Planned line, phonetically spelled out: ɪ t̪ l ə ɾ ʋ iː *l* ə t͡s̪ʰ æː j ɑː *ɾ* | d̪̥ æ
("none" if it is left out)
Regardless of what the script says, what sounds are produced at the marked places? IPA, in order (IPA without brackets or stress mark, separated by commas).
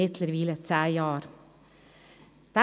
l, ɾ